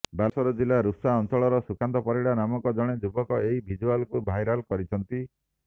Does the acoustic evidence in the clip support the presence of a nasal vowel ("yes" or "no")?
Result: no